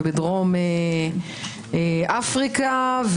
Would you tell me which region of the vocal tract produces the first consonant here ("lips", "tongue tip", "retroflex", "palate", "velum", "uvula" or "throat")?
lips